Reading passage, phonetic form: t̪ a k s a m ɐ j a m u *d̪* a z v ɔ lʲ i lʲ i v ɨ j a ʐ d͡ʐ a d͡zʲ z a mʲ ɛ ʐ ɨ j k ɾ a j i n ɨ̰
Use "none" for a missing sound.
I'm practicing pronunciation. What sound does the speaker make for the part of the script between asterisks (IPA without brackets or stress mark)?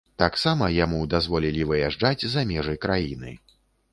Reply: d̪